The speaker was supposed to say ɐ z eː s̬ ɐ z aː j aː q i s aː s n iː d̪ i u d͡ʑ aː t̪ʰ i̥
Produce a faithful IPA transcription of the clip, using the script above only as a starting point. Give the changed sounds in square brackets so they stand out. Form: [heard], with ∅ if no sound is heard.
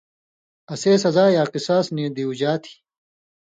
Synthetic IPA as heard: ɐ [s] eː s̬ ɐ z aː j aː q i s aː s n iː d̪ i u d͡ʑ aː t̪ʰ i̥

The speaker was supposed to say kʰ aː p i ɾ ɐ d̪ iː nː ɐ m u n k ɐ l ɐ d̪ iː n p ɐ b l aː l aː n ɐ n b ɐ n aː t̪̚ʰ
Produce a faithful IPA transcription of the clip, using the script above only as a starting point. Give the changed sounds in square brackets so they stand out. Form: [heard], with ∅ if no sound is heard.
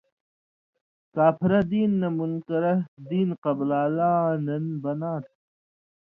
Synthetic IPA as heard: [k] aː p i ɾ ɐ d̪ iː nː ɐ m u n k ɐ [ɾ] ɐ d̪ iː n [q] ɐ b l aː l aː n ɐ n b ɐ n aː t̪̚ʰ

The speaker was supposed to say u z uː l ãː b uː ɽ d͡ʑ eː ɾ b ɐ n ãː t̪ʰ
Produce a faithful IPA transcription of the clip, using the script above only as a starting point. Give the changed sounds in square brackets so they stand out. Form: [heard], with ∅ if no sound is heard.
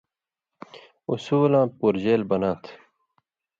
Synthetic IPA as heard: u [s] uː l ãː [p] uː [ɾ] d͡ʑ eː [l] b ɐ n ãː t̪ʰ

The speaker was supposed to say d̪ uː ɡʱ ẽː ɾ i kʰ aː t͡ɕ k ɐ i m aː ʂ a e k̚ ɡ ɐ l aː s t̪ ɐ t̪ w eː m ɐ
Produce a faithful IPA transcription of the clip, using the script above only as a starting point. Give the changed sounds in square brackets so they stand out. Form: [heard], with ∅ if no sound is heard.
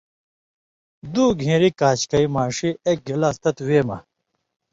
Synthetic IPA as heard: d̪ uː ɡʱ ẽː ɾ i [k] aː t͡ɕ k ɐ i m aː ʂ [i] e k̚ ɡ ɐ l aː s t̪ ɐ t̪ w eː m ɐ

